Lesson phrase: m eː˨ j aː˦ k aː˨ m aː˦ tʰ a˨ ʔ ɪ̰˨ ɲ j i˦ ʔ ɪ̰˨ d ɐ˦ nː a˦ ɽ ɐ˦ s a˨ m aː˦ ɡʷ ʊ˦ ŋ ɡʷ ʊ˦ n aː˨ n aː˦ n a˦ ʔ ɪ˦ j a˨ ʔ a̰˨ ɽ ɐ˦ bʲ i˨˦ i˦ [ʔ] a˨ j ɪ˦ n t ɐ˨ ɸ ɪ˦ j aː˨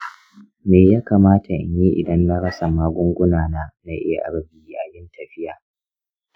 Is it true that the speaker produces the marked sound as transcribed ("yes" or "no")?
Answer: yes